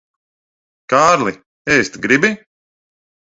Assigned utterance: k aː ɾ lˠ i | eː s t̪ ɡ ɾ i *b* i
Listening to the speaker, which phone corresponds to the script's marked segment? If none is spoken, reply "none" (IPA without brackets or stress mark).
b